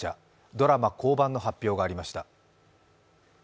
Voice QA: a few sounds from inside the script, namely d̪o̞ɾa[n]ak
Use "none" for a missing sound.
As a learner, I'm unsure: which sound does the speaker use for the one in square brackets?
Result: m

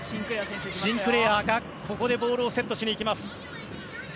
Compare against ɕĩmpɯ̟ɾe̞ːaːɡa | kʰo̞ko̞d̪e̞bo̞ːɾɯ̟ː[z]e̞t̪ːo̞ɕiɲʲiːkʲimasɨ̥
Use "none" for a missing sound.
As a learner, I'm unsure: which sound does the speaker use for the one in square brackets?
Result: s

